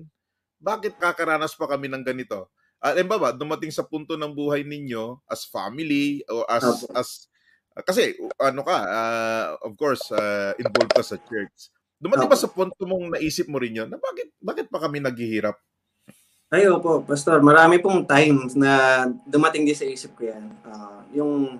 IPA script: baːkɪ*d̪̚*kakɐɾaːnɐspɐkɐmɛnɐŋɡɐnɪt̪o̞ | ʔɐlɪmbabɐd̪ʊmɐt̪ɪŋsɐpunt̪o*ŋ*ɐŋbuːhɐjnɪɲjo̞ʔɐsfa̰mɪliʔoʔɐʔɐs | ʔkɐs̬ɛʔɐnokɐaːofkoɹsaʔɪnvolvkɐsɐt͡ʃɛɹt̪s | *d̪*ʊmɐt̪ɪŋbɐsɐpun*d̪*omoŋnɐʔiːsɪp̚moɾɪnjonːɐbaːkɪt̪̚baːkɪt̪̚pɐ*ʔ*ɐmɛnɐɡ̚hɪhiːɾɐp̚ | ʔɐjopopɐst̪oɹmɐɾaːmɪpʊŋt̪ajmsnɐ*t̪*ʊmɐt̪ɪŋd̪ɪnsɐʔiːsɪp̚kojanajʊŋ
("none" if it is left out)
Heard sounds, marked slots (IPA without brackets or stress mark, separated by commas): t̪̚, n, d̪, t̪, k, d̪